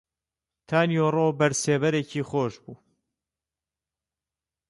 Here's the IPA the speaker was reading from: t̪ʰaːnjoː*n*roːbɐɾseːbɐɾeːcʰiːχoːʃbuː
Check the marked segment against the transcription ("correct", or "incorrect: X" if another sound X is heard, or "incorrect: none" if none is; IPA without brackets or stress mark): incorrect: none